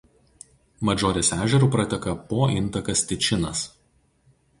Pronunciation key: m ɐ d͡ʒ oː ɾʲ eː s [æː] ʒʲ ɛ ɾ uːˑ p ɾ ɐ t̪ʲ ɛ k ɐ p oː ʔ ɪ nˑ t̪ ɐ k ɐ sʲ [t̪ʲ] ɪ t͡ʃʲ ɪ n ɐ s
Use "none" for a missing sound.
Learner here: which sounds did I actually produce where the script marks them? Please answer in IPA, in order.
æː, t̪ʲ

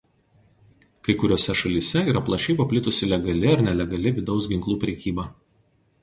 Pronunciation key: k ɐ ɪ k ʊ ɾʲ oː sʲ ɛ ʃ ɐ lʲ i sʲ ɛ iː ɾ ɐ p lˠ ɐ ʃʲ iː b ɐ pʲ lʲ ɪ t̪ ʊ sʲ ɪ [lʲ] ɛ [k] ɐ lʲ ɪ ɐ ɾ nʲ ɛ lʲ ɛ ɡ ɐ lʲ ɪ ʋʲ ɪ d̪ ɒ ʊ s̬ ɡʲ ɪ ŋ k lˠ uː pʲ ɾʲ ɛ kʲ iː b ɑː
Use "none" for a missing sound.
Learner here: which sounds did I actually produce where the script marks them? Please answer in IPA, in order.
lʲ, ɡ

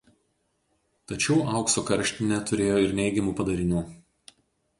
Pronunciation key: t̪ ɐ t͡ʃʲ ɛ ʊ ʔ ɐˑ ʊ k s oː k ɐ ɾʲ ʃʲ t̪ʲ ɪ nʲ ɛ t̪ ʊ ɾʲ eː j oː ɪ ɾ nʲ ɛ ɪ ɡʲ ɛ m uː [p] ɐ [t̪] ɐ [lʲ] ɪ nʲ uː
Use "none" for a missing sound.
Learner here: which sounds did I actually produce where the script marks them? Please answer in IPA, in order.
p, d̪, ɾʲ

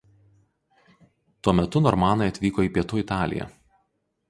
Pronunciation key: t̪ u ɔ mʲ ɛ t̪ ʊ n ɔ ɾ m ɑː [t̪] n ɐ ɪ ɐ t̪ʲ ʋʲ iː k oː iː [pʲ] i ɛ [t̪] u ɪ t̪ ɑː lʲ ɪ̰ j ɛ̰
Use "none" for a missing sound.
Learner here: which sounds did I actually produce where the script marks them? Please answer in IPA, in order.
none, pʲ, t̪

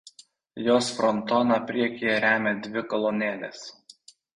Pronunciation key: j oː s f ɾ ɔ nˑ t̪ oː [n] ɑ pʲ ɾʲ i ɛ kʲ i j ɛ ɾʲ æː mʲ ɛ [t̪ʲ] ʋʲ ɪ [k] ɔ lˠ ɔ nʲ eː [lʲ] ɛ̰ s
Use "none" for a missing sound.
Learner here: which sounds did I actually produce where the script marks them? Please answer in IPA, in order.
n, d̪ʲ, k, lʲ

